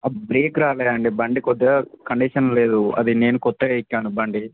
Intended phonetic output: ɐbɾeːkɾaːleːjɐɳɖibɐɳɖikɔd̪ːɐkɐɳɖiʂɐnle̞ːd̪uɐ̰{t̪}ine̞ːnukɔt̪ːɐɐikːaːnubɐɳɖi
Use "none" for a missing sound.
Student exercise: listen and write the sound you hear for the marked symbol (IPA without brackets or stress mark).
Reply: d̪